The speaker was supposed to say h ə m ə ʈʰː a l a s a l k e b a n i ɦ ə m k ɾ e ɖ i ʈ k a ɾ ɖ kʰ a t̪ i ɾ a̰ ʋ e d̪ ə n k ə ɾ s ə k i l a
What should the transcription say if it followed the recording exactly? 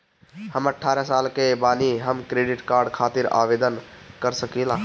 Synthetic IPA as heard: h ə m ə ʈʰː a ɾ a s a l k e b a n i ɦ ə m k ɾ e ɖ i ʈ k a ɾ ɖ kʰ a t̪ i ɾ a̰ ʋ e d̪ ə n k ə ɾ s ə k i l a